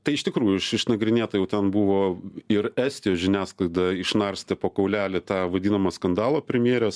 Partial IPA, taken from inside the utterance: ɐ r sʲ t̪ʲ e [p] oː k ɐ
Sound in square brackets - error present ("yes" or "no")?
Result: no